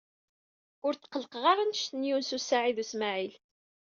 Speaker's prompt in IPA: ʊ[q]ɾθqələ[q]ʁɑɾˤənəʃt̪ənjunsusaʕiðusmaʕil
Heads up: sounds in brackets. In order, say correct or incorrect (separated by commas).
incorrect, correct